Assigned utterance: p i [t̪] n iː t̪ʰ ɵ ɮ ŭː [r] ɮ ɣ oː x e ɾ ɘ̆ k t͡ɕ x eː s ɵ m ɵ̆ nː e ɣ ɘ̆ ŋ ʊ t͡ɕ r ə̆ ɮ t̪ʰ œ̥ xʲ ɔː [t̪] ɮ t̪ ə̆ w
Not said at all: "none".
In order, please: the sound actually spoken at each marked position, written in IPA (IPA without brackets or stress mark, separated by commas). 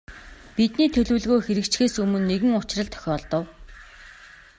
t̪, none, none